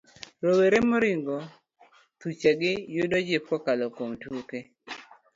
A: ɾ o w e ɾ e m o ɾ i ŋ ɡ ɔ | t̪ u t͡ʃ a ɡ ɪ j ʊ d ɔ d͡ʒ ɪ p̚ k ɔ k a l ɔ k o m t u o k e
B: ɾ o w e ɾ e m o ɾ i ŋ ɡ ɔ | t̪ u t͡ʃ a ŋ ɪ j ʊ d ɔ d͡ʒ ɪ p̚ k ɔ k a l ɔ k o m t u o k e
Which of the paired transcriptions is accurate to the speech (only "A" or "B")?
A